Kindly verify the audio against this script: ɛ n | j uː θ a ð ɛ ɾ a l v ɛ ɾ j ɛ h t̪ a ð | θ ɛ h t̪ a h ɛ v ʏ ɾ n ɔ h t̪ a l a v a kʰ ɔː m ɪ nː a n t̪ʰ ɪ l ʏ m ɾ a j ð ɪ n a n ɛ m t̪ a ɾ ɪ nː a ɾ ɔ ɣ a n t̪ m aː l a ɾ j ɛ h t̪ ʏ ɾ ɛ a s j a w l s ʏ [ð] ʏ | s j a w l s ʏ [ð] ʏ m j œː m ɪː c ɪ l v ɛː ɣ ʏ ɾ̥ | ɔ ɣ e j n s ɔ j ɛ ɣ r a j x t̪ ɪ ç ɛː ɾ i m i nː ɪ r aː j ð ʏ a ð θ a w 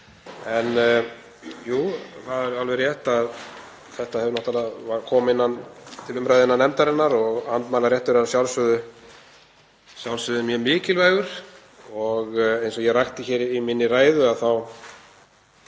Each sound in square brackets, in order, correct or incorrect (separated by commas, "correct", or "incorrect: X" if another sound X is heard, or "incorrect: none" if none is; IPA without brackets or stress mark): correct, correct